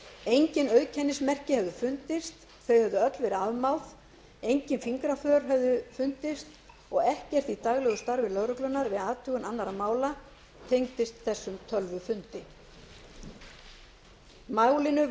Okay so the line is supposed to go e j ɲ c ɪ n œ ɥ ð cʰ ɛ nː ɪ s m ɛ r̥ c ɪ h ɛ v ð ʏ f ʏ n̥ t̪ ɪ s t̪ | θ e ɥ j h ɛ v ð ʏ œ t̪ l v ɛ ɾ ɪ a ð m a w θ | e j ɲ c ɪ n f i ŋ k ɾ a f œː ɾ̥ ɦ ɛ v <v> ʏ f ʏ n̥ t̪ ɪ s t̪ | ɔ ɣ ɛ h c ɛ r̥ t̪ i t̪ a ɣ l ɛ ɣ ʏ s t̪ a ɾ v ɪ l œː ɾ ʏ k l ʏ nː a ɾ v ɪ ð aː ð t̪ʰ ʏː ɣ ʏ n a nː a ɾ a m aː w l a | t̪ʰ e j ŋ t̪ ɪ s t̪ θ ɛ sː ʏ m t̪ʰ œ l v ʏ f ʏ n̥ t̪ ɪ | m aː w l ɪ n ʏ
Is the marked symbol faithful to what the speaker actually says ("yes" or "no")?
no